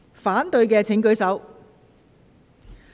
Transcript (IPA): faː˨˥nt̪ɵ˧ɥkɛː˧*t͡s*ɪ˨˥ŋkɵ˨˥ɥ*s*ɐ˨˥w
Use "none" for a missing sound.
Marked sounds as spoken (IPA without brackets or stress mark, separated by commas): t͡sʰ, s